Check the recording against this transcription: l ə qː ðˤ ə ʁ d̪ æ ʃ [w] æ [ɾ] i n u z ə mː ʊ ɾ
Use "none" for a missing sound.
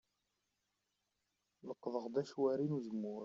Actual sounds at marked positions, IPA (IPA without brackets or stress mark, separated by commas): w, ɾ